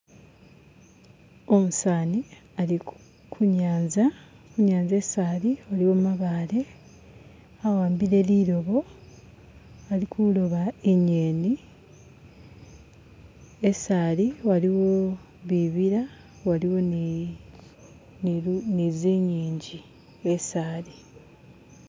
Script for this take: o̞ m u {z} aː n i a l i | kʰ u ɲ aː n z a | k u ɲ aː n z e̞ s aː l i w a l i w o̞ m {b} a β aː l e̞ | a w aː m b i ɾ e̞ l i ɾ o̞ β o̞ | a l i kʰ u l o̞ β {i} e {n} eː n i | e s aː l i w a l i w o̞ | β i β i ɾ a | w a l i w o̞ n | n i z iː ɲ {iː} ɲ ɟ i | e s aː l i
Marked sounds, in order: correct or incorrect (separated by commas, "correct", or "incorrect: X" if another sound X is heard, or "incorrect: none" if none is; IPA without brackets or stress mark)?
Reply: incorrect: s, incorrect: m, incorrect: a, incorrect: ɲ, correct